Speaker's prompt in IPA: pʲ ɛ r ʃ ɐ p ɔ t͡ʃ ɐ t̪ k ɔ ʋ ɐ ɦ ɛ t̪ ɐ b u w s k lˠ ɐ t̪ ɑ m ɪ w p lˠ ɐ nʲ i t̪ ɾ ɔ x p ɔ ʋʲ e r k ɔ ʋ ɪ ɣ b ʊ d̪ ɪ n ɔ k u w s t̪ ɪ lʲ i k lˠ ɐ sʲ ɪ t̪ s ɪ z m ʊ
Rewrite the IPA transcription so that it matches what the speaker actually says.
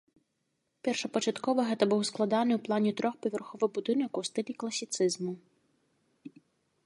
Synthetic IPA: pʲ ɛ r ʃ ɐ p ɔ t͡ʃ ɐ t̪ k ɔ ʋ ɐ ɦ ɛ t̪ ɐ b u w s k lˠ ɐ d̪ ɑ n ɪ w p lˠ ɑ nʲ i t̪ ɾ ɔ x p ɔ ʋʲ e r x ɔ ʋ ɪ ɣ b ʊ d̪ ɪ n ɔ k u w s t̪ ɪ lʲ i k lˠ ɐ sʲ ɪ t̪ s ɪ z m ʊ